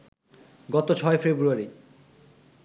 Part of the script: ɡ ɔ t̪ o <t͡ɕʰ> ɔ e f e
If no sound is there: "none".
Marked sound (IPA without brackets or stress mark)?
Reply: t͡ɕʰ